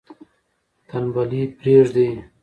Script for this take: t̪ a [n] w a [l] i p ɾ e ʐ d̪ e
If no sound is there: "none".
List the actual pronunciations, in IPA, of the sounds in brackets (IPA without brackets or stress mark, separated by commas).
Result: n, l